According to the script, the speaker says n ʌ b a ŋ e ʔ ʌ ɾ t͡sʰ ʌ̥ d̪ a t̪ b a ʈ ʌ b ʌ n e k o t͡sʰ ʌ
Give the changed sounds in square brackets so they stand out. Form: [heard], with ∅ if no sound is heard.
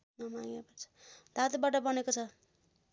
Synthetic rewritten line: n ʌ [m] a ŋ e [p] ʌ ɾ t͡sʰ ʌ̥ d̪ a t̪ b a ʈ ʌ b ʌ n e k o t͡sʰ ʌ